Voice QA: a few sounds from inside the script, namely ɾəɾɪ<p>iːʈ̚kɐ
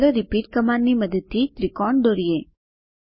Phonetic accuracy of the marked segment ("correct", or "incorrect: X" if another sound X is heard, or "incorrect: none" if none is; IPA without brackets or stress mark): correct